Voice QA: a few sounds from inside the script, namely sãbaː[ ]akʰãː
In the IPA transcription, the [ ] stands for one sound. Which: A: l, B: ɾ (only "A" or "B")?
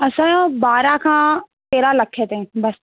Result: B